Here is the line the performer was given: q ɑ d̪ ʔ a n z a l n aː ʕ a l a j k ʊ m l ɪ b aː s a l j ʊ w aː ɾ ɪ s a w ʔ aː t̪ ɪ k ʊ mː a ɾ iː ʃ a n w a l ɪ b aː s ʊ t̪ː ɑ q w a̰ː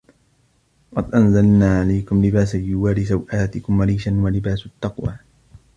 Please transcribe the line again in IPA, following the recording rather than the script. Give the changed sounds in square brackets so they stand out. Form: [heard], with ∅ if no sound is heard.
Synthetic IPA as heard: q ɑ d̪ ʔ a n z a l n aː ʕ a l a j k ʊ m l ɪ b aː s a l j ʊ w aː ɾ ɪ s a w ʔ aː t̪ ɪ k ʊ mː a ɾ iː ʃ a n w a l ɪ b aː s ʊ t̪ː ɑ q w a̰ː